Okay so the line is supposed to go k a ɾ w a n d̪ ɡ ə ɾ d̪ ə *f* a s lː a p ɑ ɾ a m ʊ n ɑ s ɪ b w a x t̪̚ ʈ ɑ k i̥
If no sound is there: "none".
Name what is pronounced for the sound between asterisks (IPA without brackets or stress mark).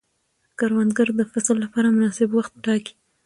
f